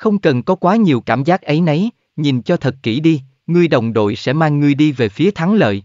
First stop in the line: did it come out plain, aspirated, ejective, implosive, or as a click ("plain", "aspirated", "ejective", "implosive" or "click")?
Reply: plain